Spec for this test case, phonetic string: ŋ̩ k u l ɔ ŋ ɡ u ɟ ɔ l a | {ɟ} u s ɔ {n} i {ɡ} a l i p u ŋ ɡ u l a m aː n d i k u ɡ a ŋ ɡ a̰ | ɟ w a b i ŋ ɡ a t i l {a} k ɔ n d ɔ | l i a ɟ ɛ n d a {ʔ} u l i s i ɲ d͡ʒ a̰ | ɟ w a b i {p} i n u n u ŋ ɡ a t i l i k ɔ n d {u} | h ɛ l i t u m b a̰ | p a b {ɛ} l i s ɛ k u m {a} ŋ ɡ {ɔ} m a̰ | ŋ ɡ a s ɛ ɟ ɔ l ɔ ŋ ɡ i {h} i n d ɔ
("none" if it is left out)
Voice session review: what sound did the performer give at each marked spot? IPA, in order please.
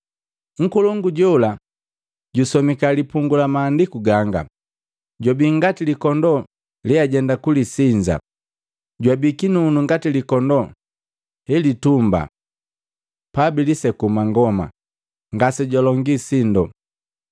ɟ, m, k, i, k, k, ɔ, i, a, ɔ, s

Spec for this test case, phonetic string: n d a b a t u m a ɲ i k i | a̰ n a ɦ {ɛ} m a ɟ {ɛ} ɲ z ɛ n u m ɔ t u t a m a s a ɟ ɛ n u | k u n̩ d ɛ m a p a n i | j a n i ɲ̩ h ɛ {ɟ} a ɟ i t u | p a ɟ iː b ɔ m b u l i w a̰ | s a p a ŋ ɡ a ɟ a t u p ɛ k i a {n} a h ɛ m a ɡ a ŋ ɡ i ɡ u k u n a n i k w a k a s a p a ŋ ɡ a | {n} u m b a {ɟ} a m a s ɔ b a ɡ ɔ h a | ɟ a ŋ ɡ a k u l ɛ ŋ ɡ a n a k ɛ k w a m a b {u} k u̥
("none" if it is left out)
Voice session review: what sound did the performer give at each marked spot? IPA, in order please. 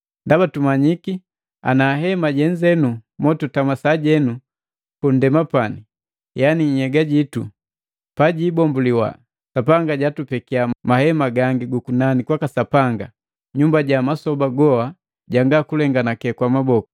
ɛ, ɛ, ɡ, m, ɲ, ɟ, ɔ

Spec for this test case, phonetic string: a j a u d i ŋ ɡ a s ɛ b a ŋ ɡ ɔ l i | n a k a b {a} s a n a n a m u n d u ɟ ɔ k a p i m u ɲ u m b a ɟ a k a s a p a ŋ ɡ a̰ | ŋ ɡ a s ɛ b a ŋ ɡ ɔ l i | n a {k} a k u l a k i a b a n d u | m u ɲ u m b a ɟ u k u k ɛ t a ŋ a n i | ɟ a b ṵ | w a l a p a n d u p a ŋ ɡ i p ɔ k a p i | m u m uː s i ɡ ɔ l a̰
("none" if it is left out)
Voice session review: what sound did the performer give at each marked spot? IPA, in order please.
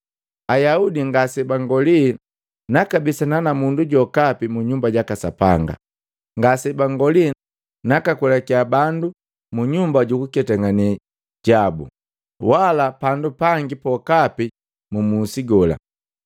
i, k

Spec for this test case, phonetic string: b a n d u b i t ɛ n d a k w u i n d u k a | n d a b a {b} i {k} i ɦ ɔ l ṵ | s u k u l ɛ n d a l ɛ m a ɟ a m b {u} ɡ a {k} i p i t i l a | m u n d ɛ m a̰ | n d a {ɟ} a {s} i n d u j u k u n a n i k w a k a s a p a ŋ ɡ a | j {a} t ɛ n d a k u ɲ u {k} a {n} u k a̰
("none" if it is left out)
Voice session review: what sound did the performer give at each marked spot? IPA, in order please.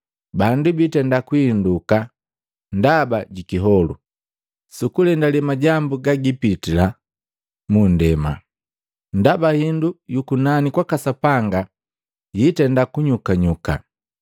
ɟ, k, u, ɡ, b, h, i, k, ɲ

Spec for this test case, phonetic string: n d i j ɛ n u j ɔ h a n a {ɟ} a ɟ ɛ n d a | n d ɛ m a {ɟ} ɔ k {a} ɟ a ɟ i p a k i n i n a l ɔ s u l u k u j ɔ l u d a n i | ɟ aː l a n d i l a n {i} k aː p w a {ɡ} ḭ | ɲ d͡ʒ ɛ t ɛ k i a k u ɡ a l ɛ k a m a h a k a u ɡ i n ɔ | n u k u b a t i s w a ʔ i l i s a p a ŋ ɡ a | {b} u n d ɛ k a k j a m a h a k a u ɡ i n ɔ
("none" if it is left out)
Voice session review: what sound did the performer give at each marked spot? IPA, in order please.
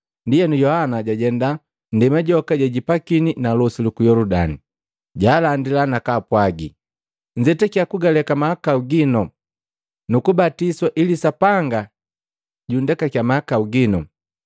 ɟ, ɟ, a, a, ɡ, ɟ

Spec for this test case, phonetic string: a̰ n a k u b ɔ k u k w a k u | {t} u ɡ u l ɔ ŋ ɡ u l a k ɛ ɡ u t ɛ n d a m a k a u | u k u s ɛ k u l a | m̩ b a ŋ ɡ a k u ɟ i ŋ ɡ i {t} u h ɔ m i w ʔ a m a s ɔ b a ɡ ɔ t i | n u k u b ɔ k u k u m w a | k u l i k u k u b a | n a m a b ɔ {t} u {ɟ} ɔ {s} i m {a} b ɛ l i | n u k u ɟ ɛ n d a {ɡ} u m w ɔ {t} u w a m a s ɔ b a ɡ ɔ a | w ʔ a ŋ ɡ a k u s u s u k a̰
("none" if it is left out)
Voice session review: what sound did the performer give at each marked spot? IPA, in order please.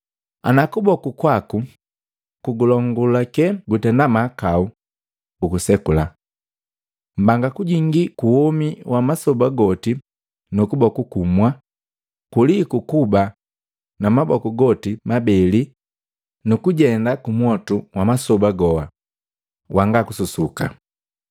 k, k, k, ɡ, t, a, k, t

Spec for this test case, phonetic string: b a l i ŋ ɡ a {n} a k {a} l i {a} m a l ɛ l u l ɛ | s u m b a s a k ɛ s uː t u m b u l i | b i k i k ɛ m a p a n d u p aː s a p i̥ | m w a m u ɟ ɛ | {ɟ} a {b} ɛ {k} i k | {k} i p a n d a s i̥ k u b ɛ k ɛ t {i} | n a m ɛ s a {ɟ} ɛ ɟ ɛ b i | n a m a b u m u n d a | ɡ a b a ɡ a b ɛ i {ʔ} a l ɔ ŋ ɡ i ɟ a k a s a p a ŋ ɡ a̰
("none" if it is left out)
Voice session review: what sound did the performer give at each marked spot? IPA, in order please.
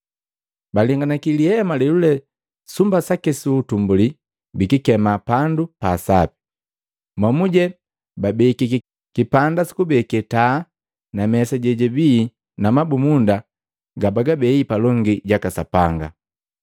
n, i, ɛ, b, b, k, k, a, ɟ, p

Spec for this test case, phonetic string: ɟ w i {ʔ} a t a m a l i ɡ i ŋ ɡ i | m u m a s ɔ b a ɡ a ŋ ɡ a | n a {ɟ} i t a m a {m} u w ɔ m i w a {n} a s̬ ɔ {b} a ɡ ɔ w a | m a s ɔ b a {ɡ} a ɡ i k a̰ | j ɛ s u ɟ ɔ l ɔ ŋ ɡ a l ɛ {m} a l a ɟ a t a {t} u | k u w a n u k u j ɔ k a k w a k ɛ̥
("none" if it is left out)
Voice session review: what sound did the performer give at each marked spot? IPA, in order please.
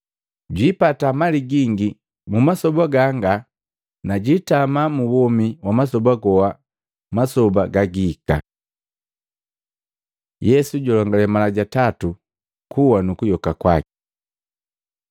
p, ɟ, m, m, b, ɡ, m, t

